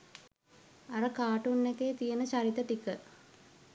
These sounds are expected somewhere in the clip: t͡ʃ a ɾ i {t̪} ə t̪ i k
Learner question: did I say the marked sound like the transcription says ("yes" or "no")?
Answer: yes